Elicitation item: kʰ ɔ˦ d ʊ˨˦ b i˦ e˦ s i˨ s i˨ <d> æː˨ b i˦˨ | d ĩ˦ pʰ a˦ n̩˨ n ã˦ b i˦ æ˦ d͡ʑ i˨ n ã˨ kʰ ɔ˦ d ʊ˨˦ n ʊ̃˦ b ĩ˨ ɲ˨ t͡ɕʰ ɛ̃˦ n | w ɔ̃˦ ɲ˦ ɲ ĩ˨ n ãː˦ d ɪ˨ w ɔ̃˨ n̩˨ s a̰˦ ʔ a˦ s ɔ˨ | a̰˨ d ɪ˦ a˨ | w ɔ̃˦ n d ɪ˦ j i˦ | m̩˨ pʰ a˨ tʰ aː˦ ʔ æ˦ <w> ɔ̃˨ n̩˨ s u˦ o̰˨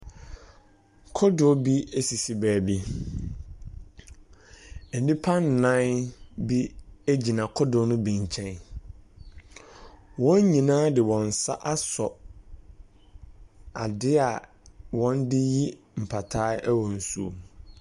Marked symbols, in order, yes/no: no, yes

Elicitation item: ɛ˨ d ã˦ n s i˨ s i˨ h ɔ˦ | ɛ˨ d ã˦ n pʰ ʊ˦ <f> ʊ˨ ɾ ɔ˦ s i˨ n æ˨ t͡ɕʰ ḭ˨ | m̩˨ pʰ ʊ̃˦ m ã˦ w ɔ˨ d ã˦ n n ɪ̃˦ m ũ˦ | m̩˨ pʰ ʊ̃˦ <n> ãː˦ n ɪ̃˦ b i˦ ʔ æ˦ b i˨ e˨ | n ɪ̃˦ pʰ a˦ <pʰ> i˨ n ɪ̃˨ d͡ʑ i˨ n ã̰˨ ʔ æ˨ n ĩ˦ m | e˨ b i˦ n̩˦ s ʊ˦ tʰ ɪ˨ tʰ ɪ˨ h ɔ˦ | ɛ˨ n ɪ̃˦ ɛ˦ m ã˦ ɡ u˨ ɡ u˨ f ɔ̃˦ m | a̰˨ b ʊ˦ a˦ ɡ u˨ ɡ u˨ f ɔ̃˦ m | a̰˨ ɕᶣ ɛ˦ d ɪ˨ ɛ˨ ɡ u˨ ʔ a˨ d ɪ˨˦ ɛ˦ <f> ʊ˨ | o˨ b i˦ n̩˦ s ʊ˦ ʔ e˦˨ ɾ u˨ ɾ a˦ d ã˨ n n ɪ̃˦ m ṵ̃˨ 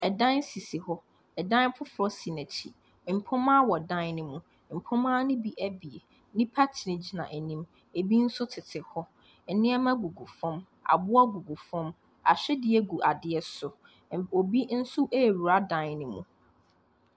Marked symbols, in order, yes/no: yes, no, no, no

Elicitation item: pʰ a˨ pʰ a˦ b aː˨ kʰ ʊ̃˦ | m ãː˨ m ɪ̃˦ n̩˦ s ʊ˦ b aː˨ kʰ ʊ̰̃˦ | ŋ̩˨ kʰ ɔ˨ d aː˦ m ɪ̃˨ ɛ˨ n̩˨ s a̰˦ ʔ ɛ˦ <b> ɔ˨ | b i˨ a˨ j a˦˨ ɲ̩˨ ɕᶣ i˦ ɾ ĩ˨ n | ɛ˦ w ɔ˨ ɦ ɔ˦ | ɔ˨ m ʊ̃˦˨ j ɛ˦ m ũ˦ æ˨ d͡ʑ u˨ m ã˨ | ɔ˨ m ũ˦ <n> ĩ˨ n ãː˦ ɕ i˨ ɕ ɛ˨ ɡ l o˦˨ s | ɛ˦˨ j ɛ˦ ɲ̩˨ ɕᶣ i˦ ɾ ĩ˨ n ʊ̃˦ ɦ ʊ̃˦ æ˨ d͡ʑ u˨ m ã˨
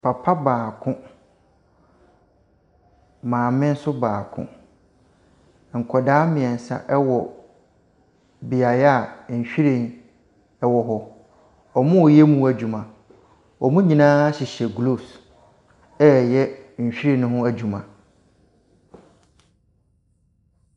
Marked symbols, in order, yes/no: no, no

